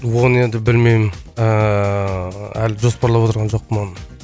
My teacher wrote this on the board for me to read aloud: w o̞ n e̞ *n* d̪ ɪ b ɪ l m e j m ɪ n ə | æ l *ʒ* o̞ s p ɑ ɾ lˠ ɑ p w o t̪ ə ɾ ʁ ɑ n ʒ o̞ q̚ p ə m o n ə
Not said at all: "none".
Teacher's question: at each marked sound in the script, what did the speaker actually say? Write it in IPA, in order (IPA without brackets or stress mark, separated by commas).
n, ʒ